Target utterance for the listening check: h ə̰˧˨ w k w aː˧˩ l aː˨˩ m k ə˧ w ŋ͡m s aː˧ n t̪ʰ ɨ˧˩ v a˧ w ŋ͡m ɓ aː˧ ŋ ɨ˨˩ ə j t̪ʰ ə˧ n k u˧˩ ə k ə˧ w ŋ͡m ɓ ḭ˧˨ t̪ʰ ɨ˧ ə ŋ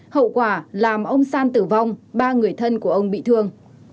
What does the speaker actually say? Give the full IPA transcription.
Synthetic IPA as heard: h ə̰˧˨ w k w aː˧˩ l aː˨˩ m ʔ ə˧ w ŋ͡m s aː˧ n t̪ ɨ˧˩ v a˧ w ŋ͡m ɓ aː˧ ŋ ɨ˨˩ ə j t̪ʰ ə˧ n k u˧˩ ə ʔ ə˧ w ŋ͡m ɓ ḭ˧˨ t̪ʰ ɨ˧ ə ŋ